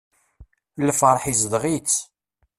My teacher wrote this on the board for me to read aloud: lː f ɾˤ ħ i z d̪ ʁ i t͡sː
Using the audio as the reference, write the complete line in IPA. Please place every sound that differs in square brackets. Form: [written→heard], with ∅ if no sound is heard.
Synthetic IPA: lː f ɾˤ ħ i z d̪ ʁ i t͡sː